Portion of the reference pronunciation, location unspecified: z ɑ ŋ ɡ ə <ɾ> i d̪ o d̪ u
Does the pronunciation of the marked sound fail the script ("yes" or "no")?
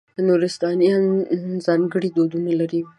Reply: yes